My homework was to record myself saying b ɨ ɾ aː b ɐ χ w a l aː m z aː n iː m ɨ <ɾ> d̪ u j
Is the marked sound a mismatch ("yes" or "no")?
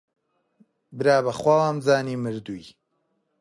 no